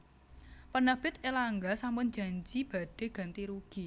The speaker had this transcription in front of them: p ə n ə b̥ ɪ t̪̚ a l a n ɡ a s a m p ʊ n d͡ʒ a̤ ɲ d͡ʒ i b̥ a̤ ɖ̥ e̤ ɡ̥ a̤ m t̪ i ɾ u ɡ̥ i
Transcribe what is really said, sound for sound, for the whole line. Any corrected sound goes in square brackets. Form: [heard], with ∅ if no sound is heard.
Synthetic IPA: p ə n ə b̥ ɪ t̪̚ [e] l a [ŋ] ɡ a s a m p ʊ n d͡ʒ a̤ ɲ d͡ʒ i b̥ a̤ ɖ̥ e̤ ɡ̥ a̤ [n] t̪ i ɾ u ɡ̥ i